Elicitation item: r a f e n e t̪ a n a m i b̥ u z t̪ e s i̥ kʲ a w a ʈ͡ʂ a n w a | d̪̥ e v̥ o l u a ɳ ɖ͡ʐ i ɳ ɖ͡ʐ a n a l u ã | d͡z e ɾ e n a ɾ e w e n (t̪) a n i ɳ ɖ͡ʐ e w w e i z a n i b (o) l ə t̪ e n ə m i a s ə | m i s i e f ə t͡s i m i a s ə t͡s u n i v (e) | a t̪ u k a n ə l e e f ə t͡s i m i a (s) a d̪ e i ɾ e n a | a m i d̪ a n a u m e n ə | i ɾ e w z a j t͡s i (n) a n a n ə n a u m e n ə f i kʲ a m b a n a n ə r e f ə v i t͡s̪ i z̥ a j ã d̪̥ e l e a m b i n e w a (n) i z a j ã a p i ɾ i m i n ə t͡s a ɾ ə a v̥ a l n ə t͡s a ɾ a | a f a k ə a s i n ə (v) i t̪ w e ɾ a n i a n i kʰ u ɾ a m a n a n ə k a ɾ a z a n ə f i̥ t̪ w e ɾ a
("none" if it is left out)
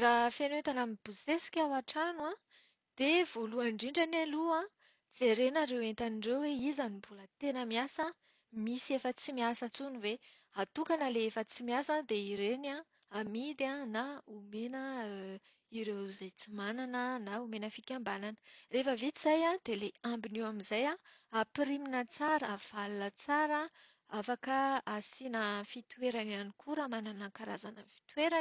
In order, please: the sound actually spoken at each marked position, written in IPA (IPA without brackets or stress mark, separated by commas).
t̪, u, e, s, m, m, f